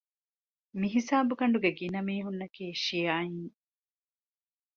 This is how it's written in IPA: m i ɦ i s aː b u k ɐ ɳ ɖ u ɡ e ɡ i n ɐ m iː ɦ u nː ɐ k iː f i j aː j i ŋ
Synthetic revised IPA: m i ɦ i s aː b u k ɐ ɳ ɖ u ɡ e ɡ i n ɐ m iː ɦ u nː ɐ k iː ʃ i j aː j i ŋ